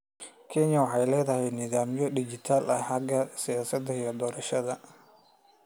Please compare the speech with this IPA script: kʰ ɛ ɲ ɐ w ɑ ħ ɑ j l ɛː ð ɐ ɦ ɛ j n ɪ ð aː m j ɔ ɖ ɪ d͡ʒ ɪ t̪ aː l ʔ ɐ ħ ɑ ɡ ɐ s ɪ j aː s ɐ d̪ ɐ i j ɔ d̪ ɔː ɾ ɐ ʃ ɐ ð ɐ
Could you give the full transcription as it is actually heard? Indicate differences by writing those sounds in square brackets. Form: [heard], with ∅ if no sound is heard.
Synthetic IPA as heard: kʰ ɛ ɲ ɐ w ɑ ħ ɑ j l ɛː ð ɐ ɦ ɛ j n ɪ ð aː m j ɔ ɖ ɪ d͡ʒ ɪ [t̪ʰ] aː l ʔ ɐ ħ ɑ ɡ ɐ s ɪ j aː s ɐ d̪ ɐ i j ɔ d̪ ɔː ɾ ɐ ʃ ɐ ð ɐ

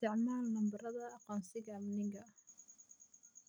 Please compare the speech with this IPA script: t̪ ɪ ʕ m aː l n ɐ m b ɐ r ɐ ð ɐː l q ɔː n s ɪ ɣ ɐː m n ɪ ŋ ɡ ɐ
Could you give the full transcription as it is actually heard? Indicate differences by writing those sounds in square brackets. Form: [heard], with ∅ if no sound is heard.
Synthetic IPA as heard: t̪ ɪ ʕ m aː l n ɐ m b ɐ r ɐ ð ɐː [∅] q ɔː n s ɪ ɣ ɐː m n ɪ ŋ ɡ ɐ

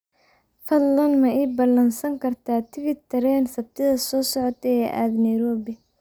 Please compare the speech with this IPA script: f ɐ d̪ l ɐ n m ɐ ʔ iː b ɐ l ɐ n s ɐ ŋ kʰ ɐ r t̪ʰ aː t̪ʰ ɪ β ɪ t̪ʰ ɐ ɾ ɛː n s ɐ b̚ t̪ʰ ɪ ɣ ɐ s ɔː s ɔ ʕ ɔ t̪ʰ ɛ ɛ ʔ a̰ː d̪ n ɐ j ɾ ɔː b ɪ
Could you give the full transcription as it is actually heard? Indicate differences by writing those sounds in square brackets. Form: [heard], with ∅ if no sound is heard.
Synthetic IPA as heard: f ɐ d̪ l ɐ n m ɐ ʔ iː b ɐ l ɐ n s ɐ ŋ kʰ ɐ r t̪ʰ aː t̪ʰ ɪ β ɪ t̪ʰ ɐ ɾ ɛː n s ɐ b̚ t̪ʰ ɪ [ð] ɐ s ɔː s ɔ ʕ ɔ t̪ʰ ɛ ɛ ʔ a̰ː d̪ n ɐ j ɾ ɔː b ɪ

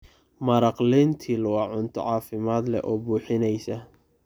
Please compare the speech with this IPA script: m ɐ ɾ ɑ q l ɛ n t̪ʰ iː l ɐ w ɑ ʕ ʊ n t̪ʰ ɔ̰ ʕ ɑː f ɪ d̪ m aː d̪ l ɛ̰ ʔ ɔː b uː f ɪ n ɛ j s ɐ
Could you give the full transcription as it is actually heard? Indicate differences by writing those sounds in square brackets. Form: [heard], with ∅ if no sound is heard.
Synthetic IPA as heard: m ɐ ɾ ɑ q l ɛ n t̪ʰ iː l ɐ w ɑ ʕ ʊ n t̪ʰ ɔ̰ ʕ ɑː f ɪ [∅] m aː d̪ l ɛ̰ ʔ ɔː b uː [ħ] ɪ n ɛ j s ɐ

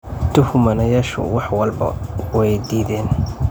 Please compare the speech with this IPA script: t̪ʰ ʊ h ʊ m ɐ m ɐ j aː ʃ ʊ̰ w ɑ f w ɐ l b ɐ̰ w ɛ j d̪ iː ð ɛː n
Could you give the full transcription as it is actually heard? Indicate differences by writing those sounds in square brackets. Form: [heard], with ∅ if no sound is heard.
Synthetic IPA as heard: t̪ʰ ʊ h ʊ m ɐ [n] ɐ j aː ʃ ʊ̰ w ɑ [ħ] w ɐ l b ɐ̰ w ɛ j d̪ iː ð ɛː n

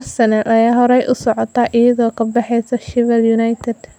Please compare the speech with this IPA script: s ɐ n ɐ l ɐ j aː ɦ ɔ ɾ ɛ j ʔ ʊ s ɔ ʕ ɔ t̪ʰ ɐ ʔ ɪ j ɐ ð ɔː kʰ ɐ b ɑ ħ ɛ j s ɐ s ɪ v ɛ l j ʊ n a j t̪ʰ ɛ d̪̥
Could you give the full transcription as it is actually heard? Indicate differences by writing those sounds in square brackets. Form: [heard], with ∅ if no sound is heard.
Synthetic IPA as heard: s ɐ n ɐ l ɐ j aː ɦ ɔ ɾ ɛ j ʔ ʊ s ɔ ʕ ɔ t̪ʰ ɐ ʔ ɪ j ɐ ð ɔː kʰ ɐ b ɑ ħ ɛ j s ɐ [ʃ] ɪ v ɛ l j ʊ n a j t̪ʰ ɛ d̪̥

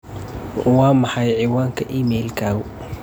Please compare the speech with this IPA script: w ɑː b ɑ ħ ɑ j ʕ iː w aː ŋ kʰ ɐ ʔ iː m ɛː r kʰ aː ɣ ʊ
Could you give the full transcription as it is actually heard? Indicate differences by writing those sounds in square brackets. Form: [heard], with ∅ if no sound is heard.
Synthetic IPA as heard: w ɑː [m] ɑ ħ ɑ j ʕ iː w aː ŋ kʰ ɐ ʔ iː m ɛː [l] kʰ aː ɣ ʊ

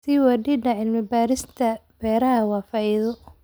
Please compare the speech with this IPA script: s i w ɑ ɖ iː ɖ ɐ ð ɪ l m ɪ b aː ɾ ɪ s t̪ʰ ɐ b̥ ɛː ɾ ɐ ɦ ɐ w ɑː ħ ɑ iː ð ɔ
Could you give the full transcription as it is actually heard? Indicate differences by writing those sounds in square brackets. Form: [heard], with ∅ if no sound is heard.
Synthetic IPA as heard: s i w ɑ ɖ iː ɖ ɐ [ʕ] ɪ l m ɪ b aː ɾ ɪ s t̪ʰ ɐ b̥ ɛː ɾ ɐ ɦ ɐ w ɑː [f] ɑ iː ð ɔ

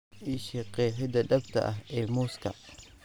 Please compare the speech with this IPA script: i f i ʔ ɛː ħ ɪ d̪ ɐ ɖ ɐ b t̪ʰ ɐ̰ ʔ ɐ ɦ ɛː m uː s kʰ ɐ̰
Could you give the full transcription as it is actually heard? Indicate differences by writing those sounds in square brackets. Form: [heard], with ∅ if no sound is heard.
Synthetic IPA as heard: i [ʃ] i [q] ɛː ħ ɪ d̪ ɐ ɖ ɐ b t̪ʰ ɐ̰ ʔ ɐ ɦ ɛː m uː s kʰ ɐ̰

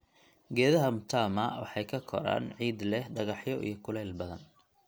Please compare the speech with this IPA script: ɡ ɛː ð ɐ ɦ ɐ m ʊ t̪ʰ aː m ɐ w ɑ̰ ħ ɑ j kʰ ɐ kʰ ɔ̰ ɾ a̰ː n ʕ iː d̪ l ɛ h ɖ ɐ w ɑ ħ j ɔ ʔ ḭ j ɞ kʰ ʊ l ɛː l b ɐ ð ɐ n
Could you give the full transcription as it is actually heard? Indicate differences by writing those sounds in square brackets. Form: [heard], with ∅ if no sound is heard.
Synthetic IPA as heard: ɡ ɛː ð ɐ ɦ ɐ m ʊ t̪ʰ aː m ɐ w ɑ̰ ħ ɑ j kʰ ɐ kʰ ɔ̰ ɾ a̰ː n ʕ iː d̪ l ɛ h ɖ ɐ [ɣ] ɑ ħ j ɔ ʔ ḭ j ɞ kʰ ʊ l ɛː l b ɐ ð ɐ n

